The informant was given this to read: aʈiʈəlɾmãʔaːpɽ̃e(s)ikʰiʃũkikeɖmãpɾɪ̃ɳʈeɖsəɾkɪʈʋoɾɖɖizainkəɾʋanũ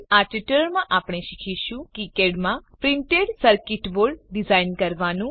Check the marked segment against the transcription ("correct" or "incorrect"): incorrect